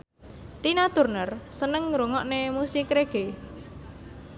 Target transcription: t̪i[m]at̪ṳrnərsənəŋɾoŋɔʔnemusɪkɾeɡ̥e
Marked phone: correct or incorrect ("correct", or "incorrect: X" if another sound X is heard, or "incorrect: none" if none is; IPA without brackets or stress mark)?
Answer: incorrect: n